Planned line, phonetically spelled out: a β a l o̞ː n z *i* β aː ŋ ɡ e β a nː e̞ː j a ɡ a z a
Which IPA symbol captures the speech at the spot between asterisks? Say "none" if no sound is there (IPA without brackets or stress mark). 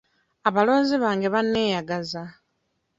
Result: i